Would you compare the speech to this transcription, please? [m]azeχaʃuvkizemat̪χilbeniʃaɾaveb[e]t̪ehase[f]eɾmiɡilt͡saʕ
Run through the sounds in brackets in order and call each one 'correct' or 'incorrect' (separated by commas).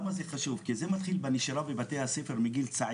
correct, incorrect, correct